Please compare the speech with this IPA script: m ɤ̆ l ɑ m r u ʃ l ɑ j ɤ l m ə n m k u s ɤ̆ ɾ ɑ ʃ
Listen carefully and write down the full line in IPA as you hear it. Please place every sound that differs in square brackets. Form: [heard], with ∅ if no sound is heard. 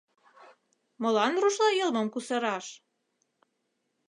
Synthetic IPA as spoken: m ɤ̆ l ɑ [n] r u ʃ l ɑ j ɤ l m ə [∅] m k u s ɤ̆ ɾ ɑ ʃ

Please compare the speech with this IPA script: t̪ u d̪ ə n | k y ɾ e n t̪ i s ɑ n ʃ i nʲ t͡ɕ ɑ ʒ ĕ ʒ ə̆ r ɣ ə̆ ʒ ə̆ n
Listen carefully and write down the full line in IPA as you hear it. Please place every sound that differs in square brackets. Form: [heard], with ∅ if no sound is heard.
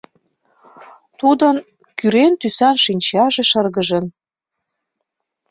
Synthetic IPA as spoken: t̪ u d̪ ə n | k y ɾ e n t̪ [y] s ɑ n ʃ i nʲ t͡ɕ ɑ ʒ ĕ [ʃ] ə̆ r ɣ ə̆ ʒ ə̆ n

